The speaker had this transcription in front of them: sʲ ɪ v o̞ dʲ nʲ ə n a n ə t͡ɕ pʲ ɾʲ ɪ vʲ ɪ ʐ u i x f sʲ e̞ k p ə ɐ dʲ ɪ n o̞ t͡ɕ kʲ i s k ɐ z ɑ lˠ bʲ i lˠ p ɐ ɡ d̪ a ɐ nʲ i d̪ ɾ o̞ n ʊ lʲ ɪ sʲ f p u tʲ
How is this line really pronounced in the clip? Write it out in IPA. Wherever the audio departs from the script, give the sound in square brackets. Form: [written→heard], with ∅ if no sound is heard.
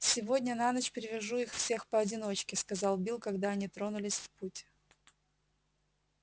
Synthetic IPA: sʲ ɪ v o̞ dʲ nʲ ə n a n ə t͡ɕ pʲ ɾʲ ɪ vʲ ɪ ʐ u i x f sʲ e̞ [k→x] p ə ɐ dʲ ɪ n o̞ t͡ɕ kʲ [i→ɪ] s k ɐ z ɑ lˠ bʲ i lˠ [p→k] ɐ ɡ d̪ a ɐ nʲ i [d̪→t̪] ɾ o̞ n ʊ lʲ ɪ sʲ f p u tʲ